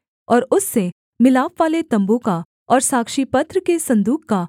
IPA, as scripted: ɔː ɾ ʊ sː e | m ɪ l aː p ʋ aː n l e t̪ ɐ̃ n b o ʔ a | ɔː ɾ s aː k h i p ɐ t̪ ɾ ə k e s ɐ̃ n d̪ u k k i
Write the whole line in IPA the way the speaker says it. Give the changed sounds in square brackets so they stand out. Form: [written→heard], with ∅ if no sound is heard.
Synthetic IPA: ɔː ɾ ʊ sː e | m ɪ l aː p ʋ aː [n→∅] l e t̪ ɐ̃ [n→m] b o [ʔ→k] a | ɔː ɾ s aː k [h→ʃ] i p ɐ t̪ ɾ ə k e s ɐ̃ n d̪ [u→uː] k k [i→a]